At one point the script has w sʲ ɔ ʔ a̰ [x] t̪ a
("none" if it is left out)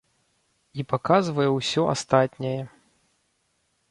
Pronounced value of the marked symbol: s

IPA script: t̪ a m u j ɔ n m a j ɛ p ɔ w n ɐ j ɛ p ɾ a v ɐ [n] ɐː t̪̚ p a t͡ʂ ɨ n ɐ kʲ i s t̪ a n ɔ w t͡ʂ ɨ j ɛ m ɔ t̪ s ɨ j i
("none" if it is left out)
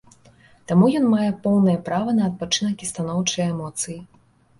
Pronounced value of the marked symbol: n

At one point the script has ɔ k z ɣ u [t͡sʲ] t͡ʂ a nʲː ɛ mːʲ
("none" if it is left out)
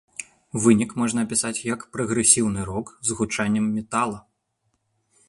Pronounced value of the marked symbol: none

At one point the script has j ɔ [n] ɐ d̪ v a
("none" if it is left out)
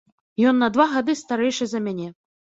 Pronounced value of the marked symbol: nː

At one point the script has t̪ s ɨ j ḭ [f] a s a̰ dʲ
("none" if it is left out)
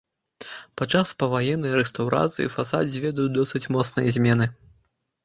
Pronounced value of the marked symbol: f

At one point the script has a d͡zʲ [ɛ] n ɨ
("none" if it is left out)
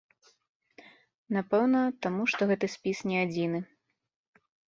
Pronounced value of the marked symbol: i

